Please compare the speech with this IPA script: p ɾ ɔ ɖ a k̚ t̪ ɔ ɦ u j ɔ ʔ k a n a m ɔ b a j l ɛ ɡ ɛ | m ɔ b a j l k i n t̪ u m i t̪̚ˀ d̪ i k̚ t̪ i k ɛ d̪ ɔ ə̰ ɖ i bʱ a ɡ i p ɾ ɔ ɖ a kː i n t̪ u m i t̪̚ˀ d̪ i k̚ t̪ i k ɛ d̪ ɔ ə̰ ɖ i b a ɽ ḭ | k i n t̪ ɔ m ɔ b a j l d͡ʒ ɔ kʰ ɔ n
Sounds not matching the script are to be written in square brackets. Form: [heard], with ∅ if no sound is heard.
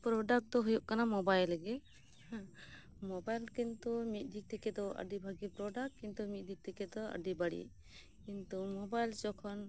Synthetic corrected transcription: p ɾ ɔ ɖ a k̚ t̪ ɔ ɦ u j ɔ ʔ k a n a m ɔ b a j l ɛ ɡ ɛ | m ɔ b a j l k i n t̪ u m i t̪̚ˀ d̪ i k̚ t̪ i k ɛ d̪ ɔ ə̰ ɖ i bʱ a ɡ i p ɾ ɔ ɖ a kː i n t̪ u m i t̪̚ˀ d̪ i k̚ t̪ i k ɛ d̪ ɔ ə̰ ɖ i b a ɽ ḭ | k i n t̪ [u] m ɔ b a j l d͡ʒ ɔ kʰ ɔ n